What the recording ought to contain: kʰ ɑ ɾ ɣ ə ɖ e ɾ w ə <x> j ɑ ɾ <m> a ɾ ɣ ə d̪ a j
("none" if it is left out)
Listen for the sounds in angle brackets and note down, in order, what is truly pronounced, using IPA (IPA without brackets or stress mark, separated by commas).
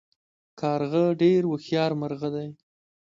x, m